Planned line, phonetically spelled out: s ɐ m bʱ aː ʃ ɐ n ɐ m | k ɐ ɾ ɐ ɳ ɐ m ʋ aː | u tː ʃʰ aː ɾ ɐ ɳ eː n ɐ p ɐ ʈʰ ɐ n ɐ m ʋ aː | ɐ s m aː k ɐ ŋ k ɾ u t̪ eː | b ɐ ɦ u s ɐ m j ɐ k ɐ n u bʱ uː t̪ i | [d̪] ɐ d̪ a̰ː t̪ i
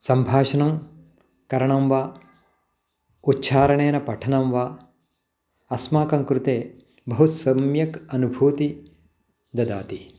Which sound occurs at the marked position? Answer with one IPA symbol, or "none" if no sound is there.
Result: d̪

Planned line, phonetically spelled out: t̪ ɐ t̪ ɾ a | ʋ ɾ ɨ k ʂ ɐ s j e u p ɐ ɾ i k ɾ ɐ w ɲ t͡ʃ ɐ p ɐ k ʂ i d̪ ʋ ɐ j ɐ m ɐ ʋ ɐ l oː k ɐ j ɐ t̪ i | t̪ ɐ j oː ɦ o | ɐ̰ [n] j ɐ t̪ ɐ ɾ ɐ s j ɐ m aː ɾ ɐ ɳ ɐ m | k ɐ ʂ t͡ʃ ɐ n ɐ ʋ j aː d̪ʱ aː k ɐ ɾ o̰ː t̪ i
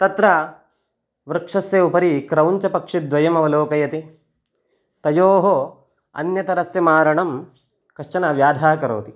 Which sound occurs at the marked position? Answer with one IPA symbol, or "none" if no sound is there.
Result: n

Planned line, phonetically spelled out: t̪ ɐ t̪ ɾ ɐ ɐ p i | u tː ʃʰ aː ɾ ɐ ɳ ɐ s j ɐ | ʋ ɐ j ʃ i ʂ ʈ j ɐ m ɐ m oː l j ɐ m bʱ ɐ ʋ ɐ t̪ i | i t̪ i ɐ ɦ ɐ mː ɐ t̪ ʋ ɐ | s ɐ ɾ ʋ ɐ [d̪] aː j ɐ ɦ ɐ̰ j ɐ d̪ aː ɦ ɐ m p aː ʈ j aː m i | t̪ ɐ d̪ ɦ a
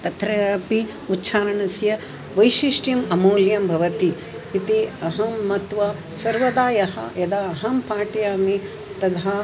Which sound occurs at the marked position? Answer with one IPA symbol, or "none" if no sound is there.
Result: d̪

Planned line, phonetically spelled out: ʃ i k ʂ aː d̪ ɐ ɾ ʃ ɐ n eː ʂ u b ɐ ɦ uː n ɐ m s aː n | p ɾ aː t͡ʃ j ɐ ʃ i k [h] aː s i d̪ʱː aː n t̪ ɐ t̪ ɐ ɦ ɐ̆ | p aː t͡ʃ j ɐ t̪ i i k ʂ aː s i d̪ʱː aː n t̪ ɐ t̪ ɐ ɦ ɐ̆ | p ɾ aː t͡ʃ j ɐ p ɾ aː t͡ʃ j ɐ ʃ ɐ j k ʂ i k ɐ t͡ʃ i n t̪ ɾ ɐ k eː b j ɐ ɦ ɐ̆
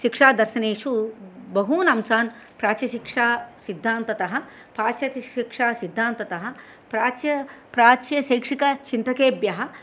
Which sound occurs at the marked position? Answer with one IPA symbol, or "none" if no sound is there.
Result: ʂ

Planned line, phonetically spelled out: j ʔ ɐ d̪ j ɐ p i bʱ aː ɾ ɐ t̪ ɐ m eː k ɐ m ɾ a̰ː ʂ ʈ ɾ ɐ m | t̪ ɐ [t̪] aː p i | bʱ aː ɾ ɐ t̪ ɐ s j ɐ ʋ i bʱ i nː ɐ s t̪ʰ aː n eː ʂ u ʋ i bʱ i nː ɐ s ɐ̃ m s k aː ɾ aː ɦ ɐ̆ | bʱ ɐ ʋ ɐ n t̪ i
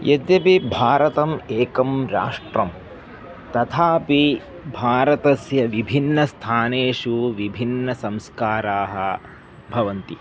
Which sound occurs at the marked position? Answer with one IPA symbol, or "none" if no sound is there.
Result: t̪ʰ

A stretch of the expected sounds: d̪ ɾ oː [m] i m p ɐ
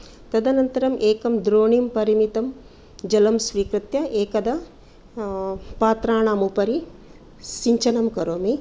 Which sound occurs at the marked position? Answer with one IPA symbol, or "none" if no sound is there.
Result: ɳ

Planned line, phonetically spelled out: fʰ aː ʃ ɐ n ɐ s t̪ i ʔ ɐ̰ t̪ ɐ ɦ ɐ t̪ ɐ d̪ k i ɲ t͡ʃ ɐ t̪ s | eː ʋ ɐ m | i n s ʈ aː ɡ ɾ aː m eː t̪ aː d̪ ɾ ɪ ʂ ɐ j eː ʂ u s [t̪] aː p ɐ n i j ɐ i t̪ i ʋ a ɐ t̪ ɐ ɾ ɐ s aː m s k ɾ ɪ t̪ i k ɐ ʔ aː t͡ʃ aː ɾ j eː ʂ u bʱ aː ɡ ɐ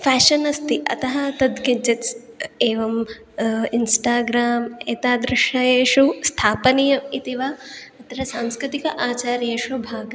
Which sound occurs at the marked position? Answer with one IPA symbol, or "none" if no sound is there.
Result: t̪ʰ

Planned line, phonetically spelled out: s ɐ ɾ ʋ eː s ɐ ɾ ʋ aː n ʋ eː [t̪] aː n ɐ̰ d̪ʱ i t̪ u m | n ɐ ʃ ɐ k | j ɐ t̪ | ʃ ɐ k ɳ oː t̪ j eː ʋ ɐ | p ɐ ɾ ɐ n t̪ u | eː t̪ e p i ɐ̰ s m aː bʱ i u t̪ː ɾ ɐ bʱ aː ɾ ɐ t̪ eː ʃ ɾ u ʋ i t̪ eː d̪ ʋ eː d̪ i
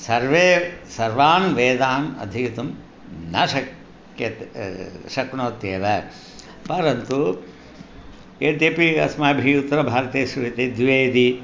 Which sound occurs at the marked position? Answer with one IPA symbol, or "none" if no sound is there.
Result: d̪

